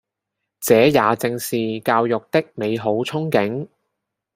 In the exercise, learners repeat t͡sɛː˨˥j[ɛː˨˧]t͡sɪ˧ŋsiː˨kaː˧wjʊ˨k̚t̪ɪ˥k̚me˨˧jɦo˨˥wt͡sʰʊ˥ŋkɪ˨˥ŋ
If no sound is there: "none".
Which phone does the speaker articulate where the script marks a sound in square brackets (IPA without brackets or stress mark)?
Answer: aː˨˧